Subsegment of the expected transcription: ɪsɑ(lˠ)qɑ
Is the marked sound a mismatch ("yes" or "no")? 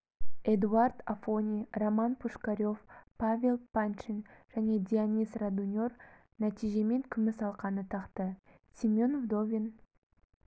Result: no